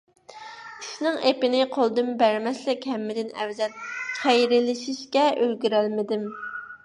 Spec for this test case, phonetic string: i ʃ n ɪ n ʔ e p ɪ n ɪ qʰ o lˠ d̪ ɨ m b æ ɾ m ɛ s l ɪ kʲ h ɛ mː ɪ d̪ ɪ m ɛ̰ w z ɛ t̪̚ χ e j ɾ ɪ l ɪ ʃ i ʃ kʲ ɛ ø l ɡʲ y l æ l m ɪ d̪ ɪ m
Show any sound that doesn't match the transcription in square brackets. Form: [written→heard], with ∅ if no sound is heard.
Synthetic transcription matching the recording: i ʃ n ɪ [n→ŋ] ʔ e p ɪ n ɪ qʰ o lˠ d̪ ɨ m b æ ɾ m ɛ s l ɪ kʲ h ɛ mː ɪ d̪ ɪ [m→n] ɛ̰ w z ɛ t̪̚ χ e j ɾ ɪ l ɪ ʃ i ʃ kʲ ɛ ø l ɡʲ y [l→ɾ] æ l m ɪ d̪ ɪ m